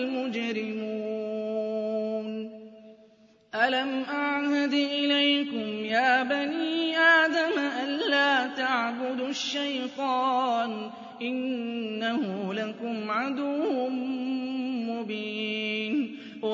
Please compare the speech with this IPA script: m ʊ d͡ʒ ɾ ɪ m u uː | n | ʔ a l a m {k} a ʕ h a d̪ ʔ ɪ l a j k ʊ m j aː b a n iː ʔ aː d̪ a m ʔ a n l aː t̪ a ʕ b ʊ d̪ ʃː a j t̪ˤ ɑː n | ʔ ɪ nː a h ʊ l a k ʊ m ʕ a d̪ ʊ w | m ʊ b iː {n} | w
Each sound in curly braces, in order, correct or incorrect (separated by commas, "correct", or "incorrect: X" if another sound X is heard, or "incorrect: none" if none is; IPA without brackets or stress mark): incorrect: ʔ, correct